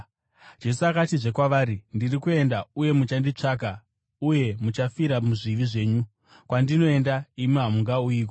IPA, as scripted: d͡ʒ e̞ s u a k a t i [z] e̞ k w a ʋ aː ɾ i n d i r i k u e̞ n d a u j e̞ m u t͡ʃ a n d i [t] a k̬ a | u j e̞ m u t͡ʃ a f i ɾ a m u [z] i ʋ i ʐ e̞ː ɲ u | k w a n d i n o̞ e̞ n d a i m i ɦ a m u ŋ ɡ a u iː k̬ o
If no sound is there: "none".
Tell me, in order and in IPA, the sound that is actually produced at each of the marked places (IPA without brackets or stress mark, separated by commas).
ʐ, t͡ʂ, ʐ